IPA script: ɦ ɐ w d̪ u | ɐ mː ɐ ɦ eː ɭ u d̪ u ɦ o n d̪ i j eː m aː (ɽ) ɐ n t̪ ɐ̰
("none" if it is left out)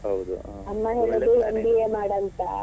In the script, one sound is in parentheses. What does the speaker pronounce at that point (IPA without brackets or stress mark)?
ɽ